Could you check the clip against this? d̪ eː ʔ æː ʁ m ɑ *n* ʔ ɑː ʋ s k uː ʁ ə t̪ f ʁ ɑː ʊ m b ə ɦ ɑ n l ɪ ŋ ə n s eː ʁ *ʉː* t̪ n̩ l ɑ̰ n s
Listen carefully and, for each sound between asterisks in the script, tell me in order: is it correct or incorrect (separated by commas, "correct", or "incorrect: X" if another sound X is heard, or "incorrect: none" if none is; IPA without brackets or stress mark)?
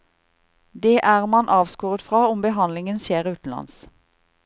correct, correct